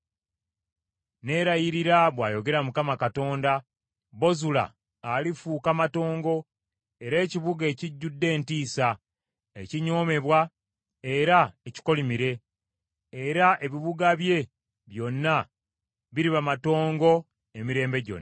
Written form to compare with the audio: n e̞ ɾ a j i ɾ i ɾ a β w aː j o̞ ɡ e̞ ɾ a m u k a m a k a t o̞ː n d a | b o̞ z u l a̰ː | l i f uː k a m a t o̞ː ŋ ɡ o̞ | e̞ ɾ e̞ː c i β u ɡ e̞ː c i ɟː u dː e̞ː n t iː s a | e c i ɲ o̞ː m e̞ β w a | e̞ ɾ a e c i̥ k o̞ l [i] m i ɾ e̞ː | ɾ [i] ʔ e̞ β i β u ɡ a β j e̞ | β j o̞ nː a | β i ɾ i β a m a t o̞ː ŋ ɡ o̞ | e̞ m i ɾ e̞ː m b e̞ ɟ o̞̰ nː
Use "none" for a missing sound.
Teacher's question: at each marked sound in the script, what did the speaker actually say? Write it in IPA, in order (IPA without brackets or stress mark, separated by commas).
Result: i, a